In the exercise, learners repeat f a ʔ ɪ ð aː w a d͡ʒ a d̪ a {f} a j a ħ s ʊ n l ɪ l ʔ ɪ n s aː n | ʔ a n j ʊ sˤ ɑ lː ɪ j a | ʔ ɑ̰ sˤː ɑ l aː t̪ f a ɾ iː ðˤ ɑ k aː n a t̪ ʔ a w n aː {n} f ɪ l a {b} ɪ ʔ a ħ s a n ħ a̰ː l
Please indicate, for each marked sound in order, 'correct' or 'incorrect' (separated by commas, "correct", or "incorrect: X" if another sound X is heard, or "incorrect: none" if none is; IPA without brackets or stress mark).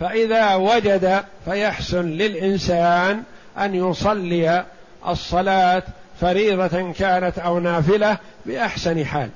correct, incorrect: none, correct